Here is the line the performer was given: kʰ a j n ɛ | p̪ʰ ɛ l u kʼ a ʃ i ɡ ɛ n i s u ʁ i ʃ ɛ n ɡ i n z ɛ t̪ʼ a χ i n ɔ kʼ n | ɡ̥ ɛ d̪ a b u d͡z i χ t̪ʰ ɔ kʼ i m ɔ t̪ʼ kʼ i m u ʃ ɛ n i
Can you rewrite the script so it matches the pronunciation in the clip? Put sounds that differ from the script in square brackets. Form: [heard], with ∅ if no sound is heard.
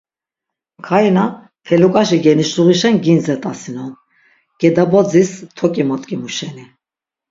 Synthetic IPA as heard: kʰ a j n [a] | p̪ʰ ɛ l u kʼ a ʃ i ɡ ɛ n i [ʃ] u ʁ i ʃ ɛ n ɡ i n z ɛ t̪ʼ a [s] i n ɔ [∅] n | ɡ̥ ɛ d̪ a b [ɔ] d͡z i [s] t̪ʰ ɔ kʼ i m ɔ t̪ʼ kʼ i m u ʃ ɛ n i